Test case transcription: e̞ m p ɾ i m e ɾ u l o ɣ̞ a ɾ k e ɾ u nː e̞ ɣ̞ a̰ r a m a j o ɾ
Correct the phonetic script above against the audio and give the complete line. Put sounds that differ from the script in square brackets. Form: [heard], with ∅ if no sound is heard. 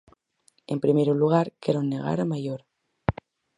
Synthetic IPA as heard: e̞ m p ɾ i m e ɾ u l [u] ɣ̞ a ɾ k e ɾ [o] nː e̞ ɣ̞ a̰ [ɾ] a m a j o ɾ